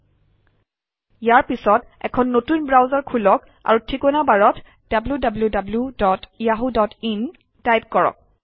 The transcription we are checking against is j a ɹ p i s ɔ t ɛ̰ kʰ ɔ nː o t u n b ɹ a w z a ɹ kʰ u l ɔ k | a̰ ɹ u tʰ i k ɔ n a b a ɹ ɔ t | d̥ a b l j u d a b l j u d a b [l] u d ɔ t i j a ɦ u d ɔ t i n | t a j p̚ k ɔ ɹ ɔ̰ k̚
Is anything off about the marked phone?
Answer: no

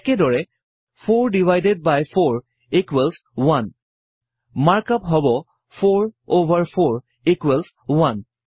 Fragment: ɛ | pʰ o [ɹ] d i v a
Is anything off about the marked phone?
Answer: no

